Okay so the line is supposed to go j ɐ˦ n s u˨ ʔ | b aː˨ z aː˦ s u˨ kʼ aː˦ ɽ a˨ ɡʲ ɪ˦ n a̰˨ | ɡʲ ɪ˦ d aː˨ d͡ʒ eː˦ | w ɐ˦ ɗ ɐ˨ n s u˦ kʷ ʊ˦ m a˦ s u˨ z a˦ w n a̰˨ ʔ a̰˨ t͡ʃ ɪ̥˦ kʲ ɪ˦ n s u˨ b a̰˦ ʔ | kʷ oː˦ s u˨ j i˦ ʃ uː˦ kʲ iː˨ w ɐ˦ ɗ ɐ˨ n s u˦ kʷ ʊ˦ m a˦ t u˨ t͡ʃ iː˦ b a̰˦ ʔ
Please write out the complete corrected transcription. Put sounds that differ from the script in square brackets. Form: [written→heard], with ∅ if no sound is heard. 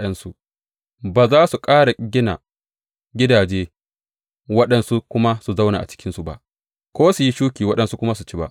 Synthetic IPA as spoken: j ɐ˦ n s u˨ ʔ | b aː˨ z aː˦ s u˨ kʼ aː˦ ɽ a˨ ɡʲ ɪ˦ n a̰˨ | ɡʲ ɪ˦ d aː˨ d͡ʒ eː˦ | w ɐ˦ ɗ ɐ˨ n s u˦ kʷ ʊ˦ m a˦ s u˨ z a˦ w n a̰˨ ʔ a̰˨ t͡ʃ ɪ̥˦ kʲ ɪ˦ n s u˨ b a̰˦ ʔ | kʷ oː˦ s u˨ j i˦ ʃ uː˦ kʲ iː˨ w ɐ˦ ɗ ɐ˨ n s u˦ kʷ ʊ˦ m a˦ [t→s] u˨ t͡ʃ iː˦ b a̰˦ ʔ